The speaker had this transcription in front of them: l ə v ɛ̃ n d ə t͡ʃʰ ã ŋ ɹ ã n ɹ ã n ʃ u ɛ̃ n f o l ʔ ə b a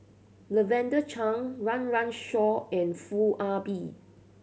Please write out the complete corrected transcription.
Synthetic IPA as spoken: l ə v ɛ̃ n d ə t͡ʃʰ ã ŋ ɹ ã n ɹ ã n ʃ ɔ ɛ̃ n f u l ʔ a b i